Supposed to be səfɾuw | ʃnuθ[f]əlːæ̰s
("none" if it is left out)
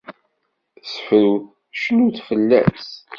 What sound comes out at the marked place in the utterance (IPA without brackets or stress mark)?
f